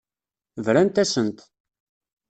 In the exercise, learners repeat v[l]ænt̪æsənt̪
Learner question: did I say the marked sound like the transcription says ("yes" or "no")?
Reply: no